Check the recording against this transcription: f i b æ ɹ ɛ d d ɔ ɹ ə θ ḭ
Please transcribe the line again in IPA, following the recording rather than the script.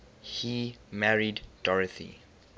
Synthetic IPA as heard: h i m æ ɹ i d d ɔ ɹ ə θ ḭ